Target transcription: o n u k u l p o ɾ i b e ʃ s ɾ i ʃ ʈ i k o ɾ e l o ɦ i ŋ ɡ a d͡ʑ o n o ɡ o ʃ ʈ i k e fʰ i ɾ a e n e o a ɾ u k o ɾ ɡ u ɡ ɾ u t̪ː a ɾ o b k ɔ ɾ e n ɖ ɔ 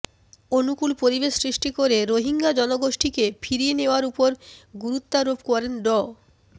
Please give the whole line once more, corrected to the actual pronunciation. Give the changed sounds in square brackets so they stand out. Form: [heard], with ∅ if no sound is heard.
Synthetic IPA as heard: o n u k u l p o ɾ i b e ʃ s ɾ i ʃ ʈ i k o ɾ e [ɾ] o ɦ i ŋ ɡ a d͡ʑ [ɔ] n o ɡ o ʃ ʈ i k e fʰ i ɾ [i] e n e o a ɾ u [p] o ɾ ɡ u [∅] ɾ u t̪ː a ɾ o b k ɔ ɾ e n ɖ ɔ